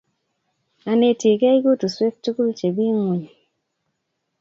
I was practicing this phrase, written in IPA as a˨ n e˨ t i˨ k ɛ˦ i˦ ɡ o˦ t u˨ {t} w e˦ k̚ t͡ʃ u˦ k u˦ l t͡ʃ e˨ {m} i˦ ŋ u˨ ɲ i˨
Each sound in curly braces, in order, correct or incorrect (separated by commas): incorrect, incorrect